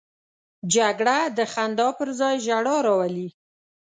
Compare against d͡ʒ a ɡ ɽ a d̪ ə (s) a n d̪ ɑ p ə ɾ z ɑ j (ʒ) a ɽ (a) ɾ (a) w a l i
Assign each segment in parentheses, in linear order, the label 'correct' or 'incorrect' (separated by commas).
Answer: incorrect, correct, incorrect, incorrect